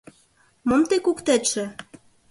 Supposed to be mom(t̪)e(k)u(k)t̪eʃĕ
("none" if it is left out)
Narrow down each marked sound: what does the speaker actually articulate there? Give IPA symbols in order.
t̪, k, k

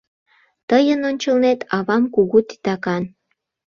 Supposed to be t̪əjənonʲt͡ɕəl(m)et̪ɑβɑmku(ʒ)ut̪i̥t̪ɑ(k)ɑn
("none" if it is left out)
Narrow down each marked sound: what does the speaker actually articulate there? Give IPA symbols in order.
n, ɣ, k

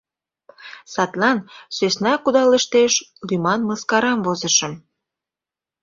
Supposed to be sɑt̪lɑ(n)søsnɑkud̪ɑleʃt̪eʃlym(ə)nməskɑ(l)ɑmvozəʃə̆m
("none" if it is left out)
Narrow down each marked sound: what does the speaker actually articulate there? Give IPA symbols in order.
n, ɑ, ɾ

